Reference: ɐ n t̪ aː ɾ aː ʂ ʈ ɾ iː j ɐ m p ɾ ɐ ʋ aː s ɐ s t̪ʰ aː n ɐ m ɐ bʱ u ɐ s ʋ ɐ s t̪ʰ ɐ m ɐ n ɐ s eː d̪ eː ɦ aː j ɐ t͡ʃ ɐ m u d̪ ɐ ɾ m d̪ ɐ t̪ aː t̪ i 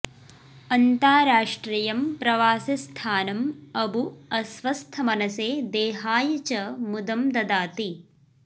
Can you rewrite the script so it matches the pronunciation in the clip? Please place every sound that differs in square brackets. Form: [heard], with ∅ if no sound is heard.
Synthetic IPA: ɐ n t̪ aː ɾ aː ʂ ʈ ɾ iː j ɐ m p ɾ ɐ ʋ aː s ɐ s t̪ʰ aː n ɐ m ɐ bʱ u ɐ s ʋ ɐ s t̪ʰ ɐ m ɐ n ɐ s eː d̪ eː ɦ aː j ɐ t͡ʃ ɐ m u d̪ ɐ [∅] m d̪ ɐ [d̪] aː t̪ i

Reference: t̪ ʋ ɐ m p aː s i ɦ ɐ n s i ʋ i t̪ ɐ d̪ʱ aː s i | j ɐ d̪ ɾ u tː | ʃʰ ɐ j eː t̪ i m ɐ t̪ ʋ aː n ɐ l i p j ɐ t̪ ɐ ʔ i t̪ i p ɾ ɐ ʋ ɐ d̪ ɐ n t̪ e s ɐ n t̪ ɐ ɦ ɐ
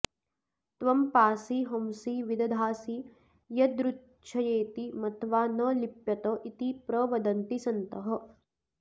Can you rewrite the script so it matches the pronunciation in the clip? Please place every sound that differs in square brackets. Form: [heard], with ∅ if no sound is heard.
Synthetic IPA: t̪ ʋ ɐ m p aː s i ɦ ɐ [m] s i ʋ i [d̪] ɐ d̪ʱ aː s i | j ɐ d̪ ɾ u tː | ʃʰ ɐ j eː t̪ i m ɐ t̪ ʋ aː n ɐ l i p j ɐ t̪ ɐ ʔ i t̪ i p ɾ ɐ ʋ ɐ d̪ ɐ n t̪ [i] s ɐ n t̪ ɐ ɦ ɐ

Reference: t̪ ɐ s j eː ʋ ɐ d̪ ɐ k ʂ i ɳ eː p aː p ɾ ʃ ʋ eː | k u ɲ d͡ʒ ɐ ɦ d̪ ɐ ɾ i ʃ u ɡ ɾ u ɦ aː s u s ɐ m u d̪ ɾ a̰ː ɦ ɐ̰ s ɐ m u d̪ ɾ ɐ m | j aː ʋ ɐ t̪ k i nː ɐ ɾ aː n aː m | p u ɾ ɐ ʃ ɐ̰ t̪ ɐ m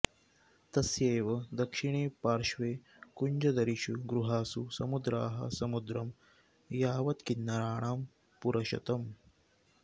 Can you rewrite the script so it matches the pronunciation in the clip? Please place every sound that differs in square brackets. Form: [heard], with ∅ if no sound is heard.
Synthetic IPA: t̪ ɐ s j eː ʋ ɐ d̪ ɐ k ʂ i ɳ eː p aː [∅] ɾ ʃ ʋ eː | k u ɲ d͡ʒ ɐ [∅] d̪ ɐ ɾ i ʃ u ɡ ɾ u ɦ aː s u s ɐ m u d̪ ɾ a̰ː ɦ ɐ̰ s ɐ m u d̪ ɾ ɐ m | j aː ʋ ɐ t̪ k i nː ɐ ɾ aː [ɳ] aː m | p u ɾ ɐ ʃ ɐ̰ t̪ ɐ m

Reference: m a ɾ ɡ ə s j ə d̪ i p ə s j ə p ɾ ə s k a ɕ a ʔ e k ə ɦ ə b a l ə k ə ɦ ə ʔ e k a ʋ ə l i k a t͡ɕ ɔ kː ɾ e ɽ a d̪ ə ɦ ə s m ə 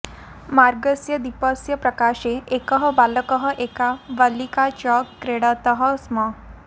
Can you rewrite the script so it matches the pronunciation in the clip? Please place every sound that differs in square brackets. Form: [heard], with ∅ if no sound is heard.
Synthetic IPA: m a ɾ ɡ ə s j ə d̪ i p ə s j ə p ɾ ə [∅] k a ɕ [e] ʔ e k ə ɦ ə b a l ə k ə ɦ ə ʔ e k a ʋ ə l i k a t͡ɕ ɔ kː ɾ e ɽ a [t̪] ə ɦ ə s m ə

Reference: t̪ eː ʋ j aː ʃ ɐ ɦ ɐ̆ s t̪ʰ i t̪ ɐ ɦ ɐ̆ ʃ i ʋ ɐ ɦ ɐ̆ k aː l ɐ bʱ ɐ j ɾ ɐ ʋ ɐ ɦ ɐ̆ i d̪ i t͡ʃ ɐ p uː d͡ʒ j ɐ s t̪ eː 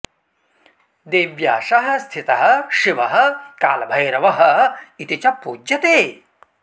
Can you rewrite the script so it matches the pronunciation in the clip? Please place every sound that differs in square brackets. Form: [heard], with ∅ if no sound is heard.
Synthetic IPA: [d̪] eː ʋ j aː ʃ ɐ ɦ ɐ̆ s t̪ʰ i t̪ ɐ ɦ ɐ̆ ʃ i ʋ ɐ ɦ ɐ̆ k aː l ɐ bʱ ɐ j ɾ ɐ ʋ ɐ ɦ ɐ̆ i [t̪] i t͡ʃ ɐ p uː d͡ʒ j ɐ [∅] t̪ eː

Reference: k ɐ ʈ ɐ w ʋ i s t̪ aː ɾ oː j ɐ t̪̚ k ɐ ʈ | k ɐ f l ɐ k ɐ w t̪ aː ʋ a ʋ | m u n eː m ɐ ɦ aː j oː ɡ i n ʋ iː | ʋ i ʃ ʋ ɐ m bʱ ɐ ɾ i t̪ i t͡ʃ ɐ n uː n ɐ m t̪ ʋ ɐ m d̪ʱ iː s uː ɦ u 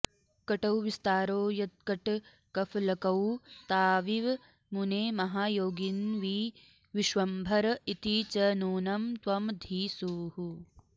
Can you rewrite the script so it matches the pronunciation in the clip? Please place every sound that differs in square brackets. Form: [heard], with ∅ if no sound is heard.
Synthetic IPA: k ɐ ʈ ɐ w ʋ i s t̪ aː ɾ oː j ɐ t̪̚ k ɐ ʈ | k ɐ f l ɐ k ɐ w t̪ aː ʋ [i] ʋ | m u n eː m ɐ ɦ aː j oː ɡ i n ʋ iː | ʋ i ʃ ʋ ɐ m bʱ ɐ ɾ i t̪ i t͡ʃ ɐ n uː n ɐ m t̪ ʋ ɐ m d̪ʱ iː s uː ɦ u

